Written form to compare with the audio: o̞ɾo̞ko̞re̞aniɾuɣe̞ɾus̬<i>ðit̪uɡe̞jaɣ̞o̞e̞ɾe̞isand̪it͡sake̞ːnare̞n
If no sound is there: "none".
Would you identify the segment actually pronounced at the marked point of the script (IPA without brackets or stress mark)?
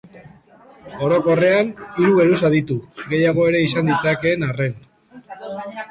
a